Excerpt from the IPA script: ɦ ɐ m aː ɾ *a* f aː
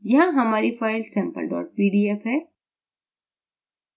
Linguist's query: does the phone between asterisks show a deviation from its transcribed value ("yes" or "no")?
yes